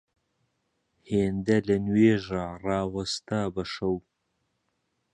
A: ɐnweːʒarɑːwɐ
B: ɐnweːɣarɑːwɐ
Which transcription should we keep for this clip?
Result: A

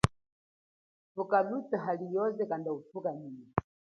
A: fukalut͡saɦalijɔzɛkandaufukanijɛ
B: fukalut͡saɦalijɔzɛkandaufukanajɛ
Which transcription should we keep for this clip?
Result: A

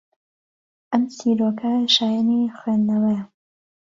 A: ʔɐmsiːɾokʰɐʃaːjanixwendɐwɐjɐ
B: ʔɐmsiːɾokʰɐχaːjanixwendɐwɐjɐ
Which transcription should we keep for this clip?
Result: A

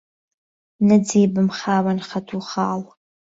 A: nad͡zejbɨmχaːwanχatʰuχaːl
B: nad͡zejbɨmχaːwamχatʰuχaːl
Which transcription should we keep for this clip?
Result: A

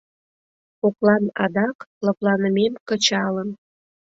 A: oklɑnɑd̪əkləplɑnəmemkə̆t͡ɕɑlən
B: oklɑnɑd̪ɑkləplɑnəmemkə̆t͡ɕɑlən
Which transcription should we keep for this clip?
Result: B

